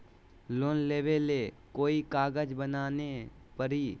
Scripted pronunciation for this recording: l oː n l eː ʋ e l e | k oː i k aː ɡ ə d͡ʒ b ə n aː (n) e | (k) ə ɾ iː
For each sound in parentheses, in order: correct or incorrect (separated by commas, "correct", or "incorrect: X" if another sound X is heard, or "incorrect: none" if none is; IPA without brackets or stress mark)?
correct, incorrect: p